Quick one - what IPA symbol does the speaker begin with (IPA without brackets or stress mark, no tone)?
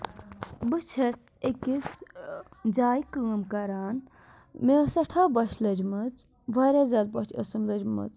b